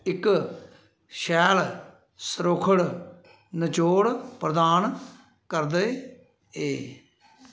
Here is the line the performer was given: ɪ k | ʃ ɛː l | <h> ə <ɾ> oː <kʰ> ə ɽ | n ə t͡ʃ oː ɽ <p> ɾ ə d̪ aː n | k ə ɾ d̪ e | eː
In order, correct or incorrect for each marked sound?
incorrect: s, correct, correct, correct

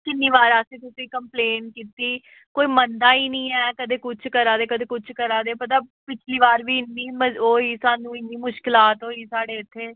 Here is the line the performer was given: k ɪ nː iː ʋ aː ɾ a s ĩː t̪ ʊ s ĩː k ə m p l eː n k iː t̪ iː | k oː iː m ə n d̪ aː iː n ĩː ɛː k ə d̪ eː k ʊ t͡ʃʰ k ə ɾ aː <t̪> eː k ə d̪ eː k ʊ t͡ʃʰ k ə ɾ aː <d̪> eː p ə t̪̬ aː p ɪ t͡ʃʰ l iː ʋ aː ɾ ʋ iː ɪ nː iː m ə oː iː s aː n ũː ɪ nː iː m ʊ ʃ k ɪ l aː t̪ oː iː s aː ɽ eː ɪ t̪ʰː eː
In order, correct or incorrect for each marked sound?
incorrect: d̪, correct

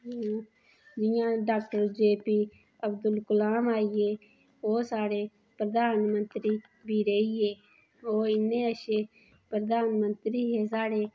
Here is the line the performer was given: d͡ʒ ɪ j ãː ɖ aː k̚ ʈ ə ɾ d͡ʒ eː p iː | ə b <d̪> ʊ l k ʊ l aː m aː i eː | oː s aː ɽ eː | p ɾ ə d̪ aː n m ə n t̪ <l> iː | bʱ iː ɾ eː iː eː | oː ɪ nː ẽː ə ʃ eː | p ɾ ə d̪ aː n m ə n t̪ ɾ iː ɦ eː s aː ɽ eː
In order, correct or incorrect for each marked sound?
correct, incorrect: ɾ

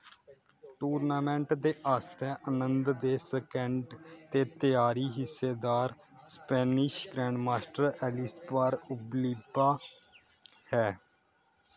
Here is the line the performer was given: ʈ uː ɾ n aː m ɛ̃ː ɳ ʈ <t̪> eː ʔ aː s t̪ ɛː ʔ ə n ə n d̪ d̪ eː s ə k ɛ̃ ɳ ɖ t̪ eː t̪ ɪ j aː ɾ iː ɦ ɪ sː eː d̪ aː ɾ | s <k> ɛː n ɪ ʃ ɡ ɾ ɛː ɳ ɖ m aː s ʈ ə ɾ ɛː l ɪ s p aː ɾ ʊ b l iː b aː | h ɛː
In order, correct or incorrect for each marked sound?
incorrect: d̪, incorrect: p

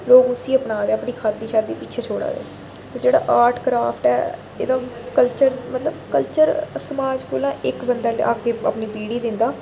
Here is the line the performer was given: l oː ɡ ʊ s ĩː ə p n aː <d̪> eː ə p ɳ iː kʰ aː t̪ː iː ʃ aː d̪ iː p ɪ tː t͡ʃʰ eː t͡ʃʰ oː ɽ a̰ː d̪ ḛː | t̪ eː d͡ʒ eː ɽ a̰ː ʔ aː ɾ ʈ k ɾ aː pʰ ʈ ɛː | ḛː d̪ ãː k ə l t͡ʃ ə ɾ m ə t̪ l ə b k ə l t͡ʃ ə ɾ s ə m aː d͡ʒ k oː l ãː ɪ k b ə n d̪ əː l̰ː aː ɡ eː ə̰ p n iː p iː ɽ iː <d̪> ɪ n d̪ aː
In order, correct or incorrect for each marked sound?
correct, correct

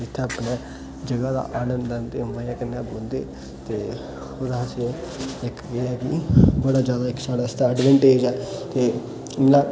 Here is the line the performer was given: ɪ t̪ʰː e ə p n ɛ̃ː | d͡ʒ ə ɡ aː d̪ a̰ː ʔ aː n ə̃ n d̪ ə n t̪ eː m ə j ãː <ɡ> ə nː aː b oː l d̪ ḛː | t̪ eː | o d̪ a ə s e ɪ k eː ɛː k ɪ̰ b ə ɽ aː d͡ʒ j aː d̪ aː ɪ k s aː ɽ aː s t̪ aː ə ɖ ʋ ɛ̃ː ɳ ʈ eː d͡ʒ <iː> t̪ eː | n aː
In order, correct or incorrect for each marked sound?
incorrect: k, incorrect: ɛː

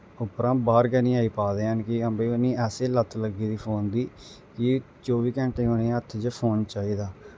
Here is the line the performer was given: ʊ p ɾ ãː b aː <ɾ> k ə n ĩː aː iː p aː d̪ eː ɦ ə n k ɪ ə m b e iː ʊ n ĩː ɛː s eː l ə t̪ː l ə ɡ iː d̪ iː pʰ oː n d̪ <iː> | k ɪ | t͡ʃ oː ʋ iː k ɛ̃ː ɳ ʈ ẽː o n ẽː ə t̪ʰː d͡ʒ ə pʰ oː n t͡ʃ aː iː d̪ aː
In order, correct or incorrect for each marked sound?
correct, correct

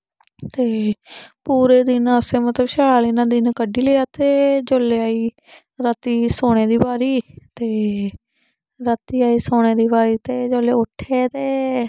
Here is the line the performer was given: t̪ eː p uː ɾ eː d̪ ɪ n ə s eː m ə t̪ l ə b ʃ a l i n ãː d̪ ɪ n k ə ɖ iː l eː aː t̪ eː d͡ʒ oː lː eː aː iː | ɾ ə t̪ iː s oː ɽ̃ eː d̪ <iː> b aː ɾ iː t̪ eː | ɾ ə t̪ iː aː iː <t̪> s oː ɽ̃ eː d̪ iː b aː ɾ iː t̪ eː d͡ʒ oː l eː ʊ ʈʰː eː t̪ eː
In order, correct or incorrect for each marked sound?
correct, incorrect: none

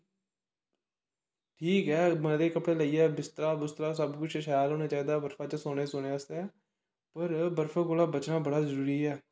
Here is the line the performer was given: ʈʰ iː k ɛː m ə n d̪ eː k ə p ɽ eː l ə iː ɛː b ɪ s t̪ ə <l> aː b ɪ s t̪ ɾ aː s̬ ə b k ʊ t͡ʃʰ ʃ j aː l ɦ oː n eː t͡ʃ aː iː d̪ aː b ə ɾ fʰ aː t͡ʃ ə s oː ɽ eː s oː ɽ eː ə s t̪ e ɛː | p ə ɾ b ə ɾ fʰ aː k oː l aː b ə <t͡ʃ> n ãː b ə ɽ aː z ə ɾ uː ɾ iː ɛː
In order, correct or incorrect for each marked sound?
incorrect: ɾ, correct

